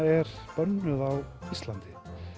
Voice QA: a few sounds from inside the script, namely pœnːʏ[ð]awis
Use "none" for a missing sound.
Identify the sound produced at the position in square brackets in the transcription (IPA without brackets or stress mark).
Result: ð